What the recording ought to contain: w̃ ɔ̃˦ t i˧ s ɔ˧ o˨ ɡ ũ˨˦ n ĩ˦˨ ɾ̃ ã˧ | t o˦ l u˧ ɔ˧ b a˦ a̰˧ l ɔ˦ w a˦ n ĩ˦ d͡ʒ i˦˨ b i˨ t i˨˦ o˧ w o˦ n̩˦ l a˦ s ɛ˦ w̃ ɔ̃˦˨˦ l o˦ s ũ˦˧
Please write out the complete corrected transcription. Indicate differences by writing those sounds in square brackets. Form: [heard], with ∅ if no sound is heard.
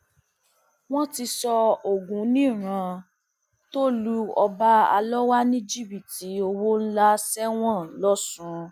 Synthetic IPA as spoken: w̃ ɔ̃˦ t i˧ s ɔ˧ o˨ ɡ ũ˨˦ n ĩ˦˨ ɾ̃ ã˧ | t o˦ l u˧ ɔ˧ b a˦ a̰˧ l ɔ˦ w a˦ n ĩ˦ d͡ʒ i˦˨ b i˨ t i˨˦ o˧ w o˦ n̩˦ l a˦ s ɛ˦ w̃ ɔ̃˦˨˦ l [ɔ˦] s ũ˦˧